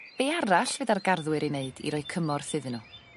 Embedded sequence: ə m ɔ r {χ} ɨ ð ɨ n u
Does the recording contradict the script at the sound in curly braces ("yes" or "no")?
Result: yes